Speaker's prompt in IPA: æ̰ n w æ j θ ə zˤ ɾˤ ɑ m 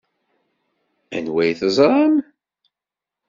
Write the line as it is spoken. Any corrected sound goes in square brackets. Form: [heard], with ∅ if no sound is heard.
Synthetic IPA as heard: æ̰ n w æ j θ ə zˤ ɾˤ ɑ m